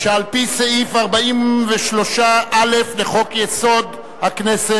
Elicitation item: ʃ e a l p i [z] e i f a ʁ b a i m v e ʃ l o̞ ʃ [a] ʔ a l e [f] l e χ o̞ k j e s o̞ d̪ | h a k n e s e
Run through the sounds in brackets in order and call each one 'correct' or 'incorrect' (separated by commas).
incorrect, correct, correct